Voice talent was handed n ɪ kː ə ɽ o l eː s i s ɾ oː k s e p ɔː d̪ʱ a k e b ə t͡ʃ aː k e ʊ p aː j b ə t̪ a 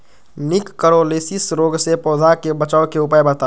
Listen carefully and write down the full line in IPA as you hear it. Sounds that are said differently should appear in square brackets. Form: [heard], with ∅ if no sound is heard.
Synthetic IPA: n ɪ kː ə [ɾ] o l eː s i s ɾ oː [ɡ] s e p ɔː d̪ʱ a k e b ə t͡ʃ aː k e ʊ p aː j b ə t̪ a